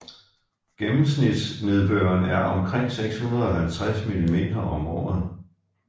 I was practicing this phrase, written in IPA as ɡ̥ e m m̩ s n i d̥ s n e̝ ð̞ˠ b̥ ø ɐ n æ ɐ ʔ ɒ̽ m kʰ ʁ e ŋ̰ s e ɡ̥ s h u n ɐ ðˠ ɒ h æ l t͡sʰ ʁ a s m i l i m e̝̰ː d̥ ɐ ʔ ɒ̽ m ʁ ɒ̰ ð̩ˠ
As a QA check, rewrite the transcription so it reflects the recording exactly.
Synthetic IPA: ɡ̥ e m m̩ s n i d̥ s n e̝ ð̞ˠ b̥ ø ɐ n æ ɐ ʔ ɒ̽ m kʰ ʁ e ŋ̰ s e ɡ̥ s h u n ɐ ðˠ ɒ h æ l t͡sʰ ʁ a s m i l i m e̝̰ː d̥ ɐ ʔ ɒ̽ m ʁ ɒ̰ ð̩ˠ